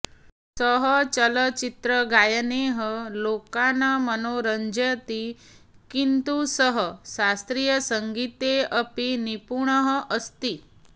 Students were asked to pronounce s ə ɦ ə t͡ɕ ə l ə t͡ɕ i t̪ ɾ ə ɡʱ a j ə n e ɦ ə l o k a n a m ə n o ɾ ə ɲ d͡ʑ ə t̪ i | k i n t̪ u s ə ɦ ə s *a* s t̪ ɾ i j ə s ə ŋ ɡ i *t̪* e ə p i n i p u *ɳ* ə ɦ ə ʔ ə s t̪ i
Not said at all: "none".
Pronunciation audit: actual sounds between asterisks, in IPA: a, t̪, ɳ

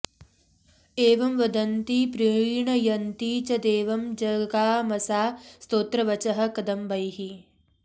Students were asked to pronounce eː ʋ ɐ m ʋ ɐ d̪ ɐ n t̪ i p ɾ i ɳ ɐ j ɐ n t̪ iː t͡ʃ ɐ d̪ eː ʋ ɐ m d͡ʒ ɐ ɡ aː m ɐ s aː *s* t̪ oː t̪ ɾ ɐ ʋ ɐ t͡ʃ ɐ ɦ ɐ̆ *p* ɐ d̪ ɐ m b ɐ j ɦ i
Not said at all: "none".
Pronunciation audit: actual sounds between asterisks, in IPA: s, k

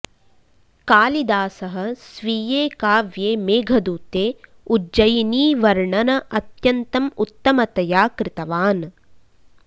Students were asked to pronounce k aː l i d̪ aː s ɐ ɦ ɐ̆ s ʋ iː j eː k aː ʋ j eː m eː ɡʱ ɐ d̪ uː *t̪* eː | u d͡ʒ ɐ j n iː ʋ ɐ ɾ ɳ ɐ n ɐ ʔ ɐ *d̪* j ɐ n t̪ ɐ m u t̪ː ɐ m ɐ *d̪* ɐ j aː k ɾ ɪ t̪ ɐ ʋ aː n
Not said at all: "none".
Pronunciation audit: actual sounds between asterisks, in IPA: t̪, t̪, t̪

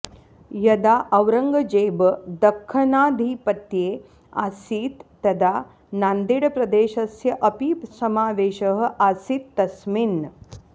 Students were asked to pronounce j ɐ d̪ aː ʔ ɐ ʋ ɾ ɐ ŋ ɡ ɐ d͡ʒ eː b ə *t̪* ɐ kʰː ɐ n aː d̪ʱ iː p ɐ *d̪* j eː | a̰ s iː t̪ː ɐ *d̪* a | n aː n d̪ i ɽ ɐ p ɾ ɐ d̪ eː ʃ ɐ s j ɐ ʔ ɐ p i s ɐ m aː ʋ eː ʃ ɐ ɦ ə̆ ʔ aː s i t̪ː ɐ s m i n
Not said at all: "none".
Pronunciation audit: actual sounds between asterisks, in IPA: d̪, t̪, d̪

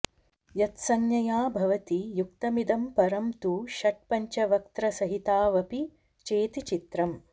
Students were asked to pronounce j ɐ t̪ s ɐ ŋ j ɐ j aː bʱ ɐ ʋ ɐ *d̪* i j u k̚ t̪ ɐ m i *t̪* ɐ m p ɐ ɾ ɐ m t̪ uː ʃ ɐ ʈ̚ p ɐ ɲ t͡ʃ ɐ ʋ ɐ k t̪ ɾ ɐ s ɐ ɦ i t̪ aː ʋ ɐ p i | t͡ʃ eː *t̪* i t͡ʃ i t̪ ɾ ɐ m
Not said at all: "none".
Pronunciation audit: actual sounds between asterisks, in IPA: t̪, d̪, t̪

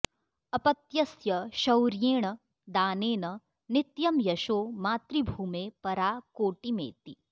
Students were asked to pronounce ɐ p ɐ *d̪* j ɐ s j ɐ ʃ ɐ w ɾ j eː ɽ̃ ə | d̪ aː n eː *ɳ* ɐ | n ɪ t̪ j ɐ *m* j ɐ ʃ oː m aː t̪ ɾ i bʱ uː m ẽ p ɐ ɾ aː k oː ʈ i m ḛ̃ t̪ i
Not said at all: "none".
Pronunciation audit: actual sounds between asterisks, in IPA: t̪, n, m

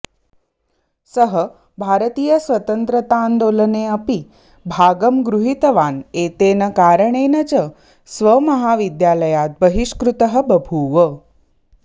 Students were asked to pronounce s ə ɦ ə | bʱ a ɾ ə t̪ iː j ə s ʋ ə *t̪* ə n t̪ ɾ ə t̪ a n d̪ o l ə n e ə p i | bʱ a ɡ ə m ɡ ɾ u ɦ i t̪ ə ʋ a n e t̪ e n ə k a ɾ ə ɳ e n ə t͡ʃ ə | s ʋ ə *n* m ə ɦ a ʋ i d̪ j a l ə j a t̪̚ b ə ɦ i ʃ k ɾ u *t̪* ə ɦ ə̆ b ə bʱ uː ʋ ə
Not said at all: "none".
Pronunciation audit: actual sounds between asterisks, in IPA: t̪, none, t̪

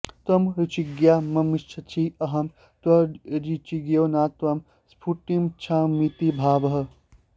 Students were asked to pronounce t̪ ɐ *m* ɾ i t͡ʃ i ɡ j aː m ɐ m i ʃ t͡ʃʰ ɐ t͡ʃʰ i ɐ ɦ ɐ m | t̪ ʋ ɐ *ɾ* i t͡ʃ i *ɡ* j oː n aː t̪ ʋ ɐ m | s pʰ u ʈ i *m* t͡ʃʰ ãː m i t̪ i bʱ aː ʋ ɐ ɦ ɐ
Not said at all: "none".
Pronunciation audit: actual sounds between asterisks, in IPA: m, ɾ, ɡ, m

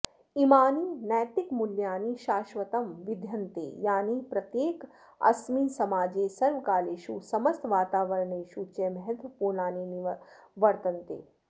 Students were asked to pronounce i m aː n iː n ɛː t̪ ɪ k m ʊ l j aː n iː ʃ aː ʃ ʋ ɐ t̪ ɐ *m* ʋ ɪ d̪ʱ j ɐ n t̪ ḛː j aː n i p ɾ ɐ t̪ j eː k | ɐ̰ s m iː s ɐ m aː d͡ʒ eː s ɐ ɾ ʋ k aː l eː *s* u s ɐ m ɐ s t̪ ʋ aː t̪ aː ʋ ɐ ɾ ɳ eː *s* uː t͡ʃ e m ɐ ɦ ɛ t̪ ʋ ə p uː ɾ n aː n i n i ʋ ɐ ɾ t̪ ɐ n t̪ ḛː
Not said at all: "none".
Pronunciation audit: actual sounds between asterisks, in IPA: m, ʃ, ʃ

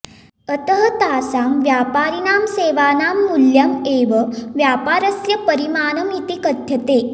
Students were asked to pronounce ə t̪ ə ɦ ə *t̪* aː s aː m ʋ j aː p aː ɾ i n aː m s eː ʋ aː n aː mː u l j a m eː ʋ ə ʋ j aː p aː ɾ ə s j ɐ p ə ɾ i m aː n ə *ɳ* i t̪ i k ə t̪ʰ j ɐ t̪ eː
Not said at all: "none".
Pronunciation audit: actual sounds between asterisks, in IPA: t̪, m

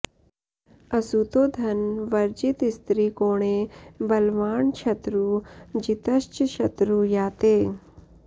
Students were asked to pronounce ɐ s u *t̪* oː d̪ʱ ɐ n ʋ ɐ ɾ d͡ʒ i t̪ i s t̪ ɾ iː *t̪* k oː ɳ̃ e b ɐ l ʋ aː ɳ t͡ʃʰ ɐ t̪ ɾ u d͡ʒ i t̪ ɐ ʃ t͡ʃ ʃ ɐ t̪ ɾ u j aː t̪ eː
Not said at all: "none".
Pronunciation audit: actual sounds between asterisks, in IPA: t̪, none

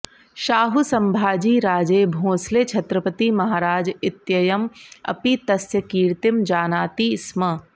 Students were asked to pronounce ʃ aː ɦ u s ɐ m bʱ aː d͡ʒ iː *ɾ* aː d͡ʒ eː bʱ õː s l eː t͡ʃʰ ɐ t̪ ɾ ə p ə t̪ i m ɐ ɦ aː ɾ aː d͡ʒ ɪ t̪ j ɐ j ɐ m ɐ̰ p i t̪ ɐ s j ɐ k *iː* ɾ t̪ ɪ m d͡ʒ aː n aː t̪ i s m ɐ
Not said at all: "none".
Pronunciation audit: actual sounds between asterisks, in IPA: ɾ, iː

